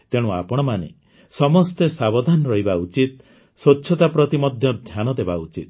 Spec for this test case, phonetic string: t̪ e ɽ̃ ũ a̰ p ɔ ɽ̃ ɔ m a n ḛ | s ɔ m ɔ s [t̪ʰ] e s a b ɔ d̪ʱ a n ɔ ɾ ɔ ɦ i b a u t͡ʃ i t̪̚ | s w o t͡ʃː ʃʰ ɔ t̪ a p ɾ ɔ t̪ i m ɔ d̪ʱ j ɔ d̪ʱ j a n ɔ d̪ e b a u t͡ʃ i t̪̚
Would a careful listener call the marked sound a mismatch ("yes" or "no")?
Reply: yes